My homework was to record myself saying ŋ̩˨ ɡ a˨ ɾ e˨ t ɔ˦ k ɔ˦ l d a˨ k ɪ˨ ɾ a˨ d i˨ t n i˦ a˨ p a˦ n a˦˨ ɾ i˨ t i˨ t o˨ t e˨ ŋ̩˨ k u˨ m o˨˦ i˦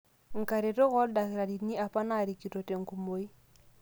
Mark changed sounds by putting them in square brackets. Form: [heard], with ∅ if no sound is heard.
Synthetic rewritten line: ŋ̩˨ [k] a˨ ɾ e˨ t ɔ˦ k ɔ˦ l d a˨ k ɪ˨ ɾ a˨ d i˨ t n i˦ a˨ p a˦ n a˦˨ ɾ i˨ [k] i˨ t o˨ t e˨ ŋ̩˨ k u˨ m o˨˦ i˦